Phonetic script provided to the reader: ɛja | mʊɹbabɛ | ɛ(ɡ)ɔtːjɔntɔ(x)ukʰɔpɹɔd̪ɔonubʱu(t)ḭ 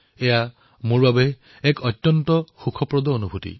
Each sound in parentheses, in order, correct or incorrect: incorrect: k, correct, correct

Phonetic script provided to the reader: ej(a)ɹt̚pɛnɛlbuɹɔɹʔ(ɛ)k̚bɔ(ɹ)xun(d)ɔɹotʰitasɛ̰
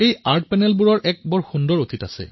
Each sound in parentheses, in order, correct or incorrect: correct, correct, correct, correct

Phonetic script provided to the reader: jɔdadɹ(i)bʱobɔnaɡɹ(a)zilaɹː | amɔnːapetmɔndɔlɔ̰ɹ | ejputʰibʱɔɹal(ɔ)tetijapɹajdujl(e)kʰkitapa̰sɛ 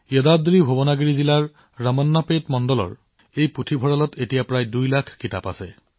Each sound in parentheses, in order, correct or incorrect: correct, incorrect: i, correct, incorrect: a

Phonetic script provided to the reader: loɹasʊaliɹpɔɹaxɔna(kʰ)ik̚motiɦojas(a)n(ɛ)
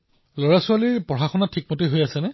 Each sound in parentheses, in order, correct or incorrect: incorrect: tʰ, incorrect: ɛ, correct

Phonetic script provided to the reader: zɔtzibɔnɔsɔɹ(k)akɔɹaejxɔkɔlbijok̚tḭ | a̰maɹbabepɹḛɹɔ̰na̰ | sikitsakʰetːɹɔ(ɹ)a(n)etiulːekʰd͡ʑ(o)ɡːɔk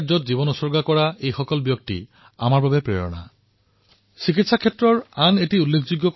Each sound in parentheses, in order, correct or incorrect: incorrect: ɡ, correct, correct, incorrect: u

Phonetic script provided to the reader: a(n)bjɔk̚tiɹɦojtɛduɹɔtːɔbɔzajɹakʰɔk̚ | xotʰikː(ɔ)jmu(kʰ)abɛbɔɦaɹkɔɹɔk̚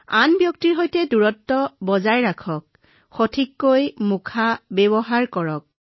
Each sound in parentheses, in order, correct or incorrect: correct, incorrect: o, correct

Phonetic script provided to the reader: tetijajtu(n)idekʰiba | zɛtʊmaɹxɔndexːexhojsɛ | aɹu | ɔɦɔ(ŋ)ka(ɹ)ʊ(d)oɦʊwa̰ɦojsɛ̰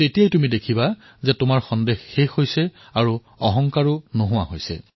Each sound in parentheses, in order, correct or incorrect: incorrect: m, correct, correct, incorrect: n

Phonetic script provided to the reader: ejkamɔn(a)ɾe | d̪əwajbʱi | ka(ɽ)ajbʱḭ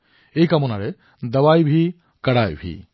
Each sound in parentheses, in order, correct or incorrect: correct, correct

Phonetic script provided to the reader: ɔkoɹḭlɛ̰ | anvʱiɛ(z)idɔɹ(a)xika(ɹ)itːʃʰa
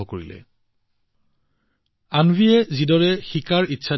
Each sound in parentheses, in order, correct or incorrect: correct, incorrect: ɛ, correct

